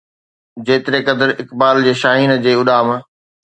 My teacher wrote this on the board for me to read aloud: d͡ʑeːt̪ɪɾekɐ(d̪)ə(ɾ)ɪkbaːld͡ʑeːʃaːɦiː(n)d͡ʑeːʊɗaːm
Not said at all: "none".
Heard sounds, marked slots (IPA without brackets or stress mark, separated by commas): d̪, ɾ, n